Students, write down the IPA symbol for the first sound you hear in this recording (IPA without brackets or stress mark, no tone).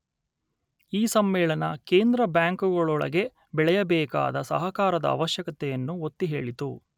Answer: iː